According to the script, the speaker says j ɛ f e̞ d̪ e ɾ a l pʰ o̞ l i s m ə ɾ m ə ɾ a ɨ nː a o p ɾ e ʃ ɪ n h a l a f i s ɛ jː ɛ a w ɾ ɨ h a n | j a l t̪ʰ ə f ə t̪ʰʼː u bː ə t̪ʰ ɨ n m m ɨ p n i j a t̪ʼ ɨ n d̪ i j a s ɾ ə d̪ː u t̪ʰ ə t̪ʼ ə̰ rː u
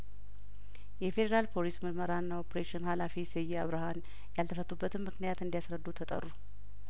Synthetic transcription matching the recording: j ɛ f e̞ d̪ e ɾ a l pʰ o̞ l i s m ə ɾ m ə ɾ a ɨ nː a o p ɾ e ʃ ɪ n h a l a f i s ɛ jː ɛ a β ɾ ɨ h a n | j a l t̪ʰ ə f ə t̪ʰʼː u bː ə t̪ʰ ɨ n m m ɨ k n i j a t̪ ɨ n d̪ i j a s ɾ ə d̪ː u t̪ʰ ə t̪ʼ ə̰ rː u